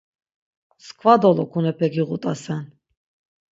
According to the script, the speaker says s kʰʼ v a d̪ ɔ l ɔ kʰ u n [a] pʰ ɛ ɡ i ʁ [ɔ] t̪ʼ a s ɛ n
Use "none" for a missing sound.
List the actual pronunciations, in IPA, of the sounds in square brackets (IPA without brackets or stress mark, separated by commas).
ɛ, u